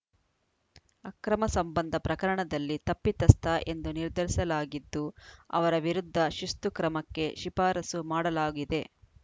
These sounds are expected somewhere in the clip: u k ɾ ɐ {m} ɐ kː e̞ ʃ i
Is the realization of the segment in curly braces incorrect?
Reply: no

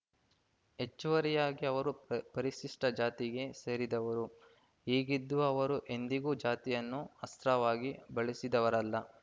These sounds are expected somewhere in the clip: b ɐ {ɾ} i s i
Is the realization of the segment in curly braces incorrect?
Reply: yes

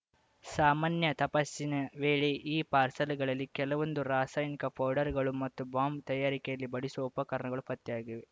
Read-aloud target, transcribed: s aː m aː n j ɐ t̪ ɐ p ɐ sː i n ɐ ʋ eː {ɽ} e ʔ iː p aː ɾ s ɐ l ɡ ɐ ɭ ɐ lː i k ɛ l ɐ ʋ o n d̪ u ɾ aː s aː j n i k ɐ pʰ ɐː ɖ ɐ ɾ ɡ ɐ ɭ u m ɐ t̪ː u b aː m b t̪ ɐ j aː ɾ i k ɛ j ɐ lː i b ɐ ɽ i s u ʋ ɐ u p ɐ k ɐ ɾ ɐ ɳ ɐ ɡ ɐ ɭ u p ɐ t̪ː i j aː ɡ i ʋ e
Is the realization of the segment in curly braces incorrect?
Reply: yes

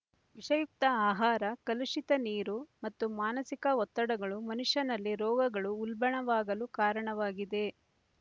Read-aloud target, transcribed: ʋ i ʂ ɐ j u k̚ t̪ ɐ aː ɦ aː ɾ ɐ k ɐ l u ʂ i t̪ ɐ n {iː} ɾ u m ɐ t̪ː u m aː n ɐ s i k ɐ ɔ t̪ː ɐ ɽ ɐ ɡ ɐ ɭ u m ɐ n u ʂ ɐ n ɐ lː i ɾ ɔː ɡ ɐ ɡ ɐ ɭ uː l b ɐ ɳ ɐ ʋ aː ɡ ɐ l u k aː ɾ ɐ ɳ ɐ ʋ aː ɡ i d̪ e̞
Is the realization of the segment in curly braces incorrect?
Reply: no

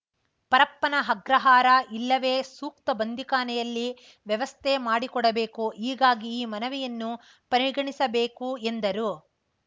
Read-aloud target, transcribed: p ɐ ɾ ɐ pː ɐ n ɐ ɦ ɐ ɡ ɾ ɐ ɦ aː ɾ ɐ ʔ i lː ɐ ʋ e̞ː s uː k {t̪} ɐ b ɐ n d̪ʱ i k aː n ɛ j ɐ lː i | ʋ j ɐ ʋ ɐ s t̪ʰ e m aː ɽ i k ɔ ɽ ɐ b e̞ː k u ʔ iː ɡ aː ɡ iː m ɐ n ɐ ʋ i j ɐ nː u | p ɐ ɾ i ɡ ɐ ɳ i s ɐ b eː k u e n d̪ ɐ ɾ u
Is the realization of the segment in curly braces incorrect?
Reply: no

